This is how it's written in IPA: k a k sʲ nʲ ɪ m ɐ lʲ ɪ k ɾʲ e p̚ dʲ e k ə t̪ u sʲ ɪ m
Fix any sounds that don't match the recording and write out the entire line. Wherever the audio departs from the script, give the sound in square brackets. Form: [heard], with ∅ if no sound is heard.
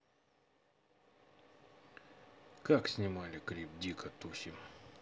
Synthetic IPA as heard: k a k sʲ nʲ ɪ m [a] lʲ ɪ k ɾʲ [i] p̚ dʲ [i] k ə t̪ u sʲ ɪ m